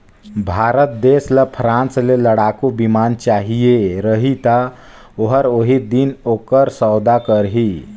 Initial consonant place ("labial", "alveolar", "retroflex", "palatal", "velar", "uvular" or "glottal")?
labial